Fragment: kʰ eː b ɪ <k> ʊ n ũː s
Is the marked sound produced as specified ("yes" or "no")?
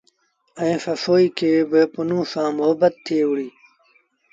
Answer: no